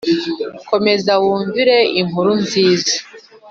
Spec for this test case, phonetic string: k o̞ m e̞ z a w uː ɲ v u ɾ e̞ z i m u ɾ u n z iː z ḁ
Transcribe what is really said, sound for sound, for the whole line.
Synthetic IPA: k o̞ m e̞ z a w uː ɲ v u ɾ e̞ i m u ɾ u n z iː z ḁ